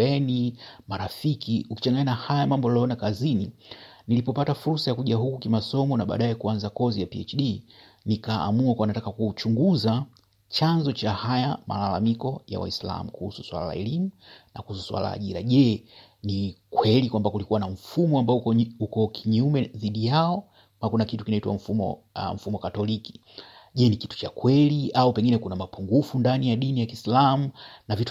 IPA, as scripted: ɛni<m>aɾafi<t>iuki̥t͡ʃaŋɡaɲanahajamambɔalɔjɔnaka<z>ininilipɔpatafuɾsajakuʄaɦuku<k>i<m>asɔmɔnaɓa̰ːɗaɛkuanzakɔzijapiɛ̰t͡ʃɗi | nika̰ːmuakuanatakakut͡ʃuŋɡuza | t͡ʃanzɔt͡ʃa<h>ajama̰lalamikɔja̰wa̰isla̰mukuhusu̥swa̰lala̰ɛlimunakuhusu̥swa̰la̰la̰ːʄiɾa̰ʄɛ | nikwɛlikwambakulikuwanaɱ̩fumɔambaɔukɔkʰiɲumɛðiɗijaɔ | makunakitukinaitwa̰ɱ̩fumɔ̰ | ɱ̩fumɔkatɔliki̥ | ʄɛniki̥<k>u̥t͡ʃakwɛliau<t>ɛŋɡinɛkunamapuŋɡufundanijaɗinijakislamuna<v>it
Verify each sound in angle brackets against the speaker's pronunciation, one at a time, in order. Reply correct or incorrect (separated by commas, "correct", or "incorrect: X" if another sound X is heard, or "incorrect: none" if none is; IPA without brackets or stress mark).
correct, incorrect: k, correct, correct, correct, correct, incorrect: t, incorrect: p, correct